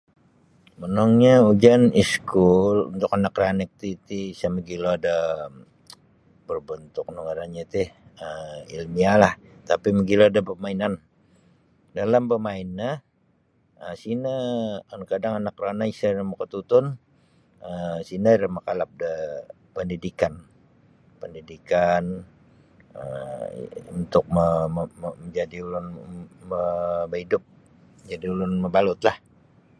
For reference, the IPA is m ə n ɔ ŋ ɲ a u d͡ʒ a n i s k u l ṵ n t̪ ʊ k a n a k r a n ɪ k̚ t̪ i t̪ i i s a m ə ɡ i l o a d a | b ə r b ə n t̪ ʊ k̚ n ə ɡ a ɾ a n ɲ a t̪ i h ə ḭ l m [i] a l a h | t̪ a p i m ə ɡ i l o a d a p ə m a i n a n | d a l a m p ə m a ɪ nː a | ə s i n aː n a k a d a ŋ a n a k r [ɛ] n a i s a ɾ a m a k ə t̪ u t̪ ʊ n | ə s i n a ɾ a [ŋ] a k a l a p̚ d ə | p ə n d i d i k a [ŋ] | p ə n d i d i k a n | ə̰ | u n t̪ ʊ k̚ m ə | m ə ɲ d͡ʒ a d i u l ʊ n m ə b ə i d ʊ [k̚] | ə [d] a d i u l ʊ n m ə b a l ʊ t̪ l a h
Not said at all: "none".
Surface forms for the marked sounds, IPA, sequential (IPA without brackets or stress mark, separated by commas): i, a, m, n, p̚, d͡ʒ